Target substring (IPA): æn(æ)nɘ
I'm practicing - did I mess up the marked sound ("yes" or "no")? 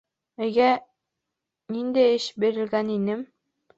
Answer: yes